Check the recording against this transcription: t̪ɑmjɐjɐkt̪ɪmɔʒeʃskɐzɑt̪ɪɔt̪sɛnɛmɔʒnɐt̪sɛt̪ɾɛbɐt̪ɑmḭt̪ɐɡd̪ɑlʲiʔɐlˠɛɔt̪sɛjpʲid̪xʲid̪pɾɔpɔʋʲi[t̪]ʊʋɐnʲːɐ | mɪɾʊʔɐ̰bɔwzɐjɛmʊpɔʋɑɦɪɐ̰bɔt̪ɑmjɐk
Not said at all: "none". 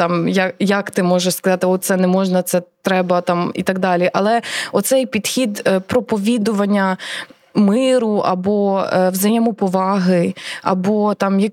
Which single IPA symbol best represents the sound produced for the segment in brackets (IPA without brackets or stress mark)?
d̪